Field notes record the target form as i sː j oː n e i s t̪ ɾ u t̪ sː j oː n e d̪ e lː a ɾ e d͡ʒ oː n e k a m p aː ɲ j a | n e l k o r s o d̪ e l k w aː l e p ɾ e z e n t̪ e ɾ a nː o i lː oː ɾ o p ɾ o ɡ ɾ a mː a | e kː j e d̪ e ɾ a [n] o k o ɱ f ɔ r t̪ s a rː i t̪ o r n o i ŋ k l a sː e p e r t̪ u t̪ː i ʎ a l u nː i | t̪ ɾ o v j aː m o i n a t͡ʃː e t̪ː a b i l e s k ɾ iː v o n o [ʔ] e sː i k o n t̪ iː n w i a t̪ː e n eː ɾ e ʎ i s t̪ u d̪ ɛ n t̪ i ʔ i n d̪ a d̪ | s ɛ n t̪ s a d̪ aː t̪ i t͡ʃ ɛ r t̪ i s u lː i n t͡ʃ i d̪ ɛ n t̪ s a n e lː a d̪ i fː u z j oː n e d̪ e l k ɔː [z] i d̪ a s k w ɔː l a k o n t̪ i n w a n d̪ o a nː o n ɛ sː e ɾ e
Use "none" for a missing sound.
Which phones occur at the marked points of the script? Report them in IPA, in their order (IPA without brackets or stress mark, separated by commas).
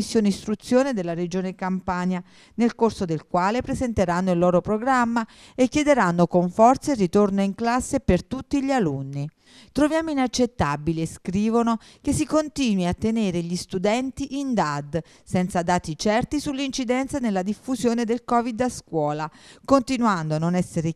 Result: nː, k, v